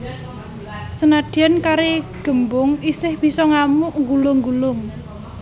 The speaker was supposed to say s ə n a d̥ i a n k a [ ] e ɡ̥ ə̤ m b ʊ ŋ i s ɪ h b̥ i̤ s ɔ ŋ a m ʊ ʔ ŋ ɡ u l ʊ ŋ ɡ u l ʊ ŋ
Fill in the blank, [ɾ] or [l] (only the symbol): ɾ